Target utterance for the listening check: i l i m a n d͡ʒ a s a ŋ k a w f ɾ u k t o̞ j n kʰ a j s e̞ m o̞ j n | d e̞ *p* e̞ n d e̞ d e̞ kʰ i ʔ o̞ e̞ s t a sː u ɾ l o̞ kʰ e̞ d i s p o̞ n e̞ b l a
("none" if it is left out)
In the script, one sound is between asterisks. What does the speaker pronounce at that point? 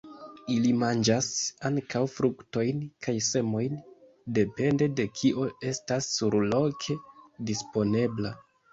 p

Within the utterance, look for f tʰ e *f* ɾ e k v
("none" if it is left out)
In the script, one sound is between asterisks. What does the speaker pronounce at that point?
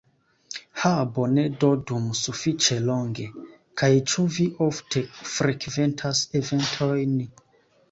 f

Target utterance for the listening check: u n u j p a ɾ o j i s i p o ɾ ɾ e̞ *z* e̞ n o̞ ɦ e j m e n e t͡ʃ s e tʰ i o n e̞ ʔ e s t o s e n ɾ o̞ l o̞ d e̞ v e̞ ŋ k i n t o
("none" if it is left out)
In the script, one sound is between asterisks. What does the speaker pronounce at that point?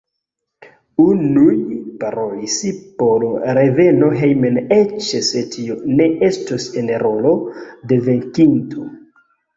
v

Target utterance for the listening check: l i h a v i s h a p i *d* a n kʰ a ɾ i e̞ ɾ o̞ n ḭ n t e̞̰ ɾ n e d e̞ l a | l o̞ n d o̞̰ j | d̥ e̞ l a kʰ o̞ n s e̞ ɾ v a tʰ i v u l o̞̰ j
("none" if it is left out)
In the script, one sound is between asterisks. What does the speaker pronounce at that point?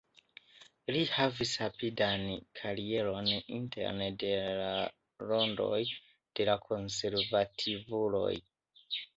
d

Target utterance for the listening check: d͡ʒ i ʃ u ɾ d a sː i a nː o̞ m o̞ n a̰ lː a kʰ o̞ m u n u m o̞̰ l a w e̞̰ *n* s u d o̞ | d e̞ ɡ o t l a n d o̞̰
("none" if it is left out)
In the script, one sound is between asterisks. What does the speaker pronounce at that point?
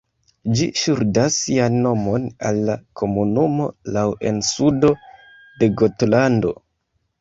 n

